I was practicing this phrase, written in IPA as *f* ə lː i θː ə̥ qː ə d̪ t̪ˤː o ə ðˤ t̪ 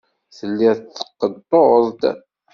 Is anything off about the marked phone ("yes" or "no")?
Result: yes